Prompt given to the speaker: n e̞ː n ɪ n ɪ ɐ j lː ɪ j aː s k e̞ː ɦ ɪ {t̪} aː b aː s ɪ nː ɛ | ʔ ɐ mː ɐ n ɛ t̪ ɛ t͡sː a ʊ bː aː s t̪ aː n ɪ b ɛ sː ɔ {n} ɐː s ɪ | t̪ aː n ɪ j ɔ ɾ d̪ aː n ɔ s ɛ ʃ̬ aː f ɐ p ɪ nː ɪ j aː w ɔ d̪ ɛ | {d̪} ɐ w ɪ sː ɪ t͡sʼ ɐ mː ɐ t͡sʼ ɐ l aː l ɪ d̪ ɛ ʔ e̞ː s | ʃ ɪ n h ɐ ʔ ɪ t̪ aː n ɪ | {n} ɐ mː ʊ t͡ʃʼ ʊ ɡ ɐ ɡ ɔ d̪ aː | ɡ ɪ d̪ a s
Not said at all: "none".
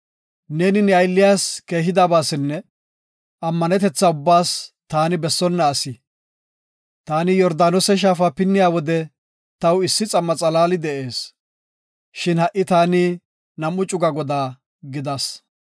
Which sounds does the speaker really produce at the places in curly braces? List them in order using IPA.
d̪, nː, t̪, n

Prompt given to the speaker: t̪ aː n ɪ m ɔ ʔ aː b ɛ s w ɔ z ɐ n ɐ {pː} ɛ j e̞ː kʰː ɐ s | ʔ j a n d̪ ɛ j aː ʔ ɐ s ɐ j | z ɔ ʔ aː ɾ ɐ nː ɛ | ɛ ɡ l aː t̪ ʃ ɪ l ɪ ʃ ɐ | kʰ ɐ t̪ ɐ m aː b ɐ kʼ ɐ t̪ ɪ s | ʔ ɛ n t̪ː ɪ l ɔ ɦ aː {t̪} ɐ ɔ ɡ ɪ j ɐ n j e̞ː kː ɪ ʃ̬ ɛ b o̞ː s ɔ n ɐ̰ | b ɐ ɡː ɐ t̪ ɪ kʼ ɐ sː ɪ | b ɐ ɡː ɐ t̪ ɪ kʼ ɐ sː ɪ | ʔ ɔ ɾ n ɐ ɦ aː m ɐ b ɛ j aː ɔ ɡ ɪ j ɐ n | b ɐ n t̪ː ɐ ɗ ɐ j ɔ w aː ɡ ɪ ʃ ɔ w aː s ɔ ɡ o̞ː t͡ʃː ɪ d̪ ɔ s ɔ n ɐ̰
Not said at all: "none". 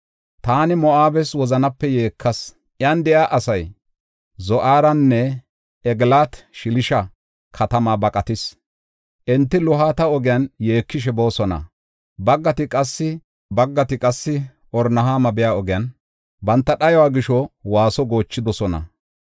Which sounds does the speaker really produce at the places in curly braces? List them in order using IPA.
pː, t̪

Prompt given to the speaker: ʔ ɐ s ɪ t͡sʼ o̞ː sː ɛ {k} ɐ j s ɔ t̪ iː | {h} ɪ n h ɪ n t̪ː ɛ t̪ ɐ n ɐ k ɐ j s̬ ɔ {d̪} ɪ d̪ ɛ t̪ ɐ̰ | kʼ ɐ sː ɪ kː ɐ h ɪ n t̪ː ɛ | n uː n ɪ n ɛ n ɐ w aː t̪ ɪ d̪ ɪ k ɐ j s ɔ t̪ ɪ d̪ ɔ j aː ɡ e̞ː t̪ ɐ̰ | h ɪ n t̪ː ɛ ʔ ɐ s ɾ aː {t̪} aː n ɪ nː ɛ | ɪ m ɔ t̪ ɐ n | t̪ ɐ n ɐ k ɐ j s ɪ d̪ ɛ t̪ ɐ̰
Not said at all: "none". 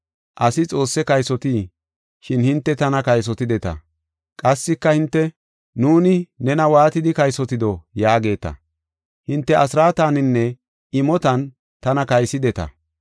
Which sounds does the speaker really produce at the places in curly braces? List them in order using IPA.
k, ʃ, t̪, t̪

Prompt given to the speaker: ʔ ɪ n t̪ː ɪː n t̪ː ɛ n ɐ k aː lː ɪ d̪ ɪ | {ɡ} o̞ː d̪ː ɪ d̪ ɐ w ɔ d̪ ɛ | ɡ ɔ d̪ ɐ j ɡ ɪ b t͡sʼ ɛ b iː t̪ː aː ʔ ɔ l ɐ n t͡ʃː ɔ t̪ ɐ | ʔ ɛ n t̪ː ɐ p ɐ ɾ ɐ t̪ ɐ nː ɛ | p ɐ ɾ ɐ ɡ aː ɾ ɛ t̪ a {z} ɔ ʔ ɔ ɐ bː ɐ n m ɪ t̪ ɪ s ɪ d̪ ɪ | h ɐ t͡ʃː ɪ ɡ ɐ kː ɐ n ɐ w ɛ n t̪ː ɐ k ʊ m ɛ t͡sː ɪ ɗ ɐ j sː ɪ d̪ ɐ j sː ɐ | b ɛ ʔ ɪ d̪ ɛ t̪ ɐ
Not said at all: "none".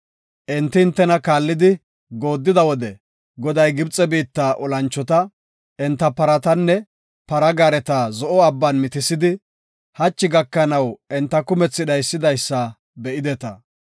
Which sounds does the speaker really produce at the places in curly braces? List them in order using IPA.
ɡ, z

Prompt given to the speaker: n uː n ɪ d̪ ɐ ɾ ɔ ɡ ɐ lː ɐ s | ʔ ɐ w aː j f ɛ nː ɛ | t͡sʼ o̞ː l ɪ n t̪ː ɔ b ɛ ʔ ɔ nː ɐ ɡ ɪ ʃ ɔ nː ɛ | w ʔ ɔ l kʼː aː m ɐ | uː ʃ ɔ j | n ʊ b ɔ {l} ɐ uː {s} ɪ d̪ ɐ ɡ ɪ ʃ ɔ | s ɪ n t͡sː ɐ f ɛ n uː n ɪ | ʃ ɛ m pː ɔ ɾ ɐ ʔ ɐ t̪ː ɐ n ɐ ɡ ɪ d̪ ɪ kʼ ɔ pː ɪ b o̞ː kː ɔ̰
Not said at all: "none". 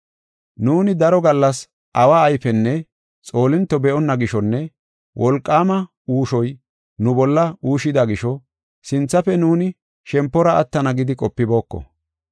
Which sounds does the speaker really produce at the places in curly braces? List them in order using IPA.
lː, ʃ

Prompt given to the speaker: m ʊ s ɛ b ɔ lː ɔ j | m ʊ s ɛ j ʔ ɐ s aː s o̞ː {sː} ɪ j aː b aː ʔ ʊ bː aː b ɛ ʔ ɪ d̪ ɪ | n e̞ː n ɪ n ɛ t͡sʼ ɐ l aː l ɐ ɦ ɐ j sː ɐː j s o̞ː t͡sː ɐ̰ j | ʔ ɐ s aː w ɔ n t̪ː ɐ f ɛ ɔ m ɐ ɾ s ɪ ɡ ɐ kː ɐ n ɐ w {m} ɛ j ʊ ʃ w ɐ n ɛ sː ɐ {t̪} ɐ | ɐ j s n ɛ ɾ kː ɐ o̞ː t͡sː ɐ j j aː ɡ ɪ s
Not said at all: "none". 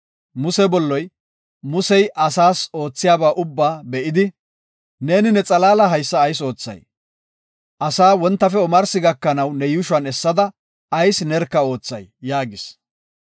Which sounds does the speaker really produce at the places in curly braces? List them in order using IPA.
t͡sː, n, d̪

